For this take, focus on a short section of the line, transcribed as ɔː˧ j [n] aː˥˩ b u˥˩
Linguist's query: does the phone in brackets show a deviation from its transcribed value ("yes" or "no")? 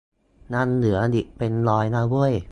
no